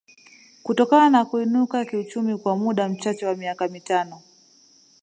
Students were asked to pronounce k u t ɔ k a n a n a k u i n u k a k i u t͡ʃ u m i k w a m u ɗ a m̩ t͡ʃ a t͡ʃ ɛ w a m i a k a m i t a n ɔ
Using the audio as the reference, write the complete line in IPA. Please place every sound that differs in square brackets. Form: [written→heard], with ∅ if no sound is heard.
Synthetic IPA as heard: k u t ɔ k a n a n a k u i n u k a k i u t͡ʃ u m i k w a m u ɗ a m̩ t͡ʃ a t͡ʃ ɛ w a m i a k a m i t a n ɔ